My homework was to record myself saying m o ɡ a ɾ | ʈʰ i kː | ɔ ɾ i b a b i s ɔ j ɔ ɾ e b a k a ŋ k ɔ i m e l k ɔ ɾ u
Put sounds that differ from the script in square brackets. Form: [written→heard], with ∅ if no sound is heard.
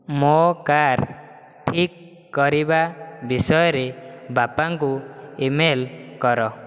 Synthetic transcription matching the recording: m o [ɡ→k] a ɾ | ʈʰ i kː | ɔ ɾ i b a b i s ɔ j ɔ ɾ e b a [k→p] a ŋ k [ɔ→u] i m e l k ɔ ɾ [u→ɔ]